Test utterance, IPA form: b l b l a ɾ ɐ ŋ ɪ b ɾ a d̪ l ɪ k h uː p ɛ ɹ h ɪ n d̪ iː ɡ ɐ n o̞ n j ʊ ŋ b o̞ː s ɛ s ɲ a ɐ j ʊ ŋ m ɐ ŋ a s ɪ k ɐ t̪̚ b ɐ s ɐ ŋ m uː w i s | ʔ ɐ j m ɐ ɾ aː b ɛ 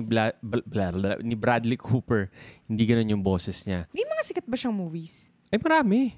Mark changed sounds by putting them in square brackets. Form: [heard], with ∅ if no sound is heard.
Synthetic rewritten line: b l b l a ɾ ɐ [n] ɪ b ɾ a d̪ l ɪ k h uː p ɛ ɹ h ɪ n d̪ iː ɡ ɐ n o̞ n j ʊ ŋ b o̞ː s ɛ s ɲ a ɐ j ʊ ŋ m ɐ ŋ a s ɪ k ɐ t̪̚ b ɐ [ʃ] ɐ ŋ m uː [v] i s | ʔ ɐ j m ɐ ɾ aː [m] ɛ